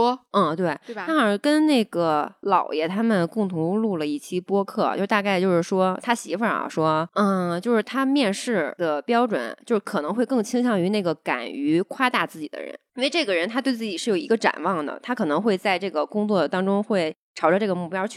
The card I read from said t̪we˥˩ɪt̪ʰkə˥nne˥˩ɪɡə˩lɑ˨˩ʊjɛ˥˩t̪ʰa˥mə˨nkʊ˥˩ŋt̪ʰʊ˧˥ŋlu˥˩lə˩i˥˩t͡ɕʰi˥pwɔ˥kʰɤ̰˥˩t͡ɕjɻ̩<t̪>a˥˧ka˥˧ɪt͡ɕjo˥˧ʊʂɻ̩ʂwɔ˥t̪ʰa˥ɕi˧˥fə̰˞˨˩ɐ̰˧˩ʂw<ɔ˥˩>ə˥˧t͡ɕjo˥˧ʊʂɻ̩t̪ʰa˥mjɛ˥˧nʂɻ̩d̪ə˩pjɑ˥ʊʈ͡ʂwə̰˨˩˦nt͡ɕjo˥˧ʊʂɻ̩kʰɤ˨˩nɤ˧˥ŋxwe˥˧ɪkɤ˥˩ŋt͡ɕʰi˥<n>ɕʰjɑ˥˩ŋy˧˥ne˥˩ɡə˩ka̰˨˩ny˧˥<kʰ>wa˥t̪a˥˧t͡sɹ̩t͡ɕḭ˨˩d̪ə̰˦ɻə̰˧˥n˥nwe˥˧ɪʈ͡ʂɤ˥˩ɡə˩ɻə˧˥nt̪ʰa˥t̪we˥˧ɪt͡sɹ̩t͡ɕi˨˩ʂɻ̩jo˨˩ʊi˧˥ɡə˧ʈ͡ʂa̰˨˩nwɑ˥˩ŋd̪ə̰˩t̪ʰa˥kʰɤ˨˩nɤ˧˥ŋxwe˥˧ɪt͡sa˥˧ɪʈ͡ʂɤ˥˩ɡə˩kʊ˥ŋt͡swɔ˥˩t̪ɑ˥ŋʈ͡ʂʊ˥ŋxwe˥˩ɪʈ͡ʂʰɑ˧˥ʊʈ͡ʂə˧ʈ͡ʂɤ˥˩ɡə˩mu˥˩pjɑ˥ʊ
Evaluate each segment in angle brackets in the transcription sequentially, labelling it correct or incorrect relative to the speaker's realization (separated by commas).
correct, incorrect, incorrect, correct